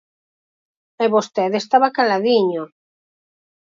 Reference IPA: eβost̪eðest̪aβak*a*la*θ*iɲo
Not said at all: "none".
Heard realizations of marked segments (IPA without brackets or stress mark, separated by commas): a, ð